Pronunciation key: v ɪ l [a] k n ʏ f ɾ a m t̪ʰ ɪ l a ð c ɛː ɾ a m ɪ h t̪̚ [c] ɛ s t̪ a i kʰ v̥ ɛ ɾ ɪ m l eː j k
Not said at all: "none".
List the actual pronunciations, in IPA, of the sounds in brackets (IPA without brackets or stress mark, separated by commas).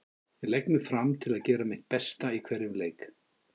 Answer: ɛ, p